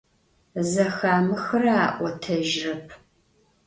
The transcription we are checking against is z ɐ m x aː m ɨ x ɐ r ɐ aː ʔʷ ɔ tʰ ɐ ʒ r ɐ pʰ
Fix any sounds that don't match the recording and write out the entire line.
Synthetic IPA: z ɐ x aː m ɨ x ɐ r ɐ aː ʔʷ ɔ tʰ ɐ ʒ r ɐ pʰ